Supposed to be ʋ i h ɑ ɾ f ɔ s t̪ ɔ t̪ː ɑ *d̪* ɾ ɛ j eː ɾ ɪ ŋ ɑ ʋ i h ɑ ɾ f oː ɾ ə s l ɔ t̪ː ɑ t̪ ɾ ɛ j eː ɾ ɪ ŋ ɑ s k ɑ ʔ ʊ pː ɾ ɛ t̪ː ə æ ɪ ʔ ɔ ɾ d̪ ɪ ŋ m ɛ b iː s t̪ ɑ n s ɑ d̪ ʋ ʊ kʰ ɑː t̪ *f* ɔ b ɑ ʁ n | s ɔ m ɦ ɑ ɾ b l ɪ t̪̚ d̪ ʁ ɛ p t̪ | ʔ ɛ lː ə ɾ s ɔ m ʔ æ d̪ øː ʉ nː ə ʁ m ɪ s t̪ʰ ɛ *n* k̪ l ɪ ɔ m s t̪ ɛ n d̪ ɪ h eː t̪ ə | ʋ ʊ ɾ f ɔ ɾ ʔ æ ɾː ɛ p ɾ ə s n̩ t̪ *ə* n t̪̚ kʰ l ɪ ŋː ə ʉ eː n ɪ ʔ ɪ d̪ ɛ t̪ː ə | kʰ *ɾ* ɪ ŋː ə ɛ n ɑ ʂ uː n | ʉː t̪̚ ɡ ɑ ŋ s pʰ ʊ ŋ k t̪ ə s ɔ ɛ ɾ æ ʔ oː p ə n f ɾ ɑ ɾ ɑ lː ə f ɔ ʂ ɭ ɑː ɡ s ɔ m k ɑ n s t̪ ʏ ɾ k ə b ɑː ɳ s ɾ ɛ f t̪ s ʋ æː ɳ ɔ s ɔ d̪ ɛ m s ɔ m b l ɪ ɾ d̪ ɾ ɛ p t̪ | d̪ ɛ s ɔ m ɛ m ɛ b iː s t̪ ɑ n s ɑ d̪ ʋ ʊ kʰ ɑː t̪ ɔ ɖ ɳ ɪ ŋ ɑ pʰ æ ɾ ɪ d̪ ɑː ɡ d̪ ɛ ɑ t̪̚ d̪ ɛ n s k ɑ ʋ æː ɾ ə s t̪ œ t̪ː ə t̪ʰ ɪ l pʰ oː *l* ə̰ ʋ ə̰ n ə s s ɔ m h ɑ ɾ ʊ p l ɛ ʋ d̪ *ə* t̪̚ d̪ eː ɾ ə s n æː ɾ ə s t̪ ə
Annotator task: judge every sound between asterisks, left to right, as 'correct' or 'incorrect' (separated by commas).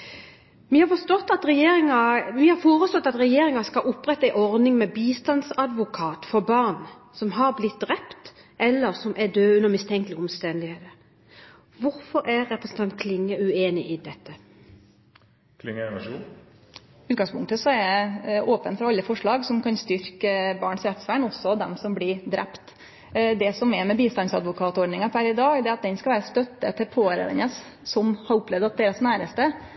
incorrect, correct, incorrect, incorrect, incorrect, incorrect, incorrect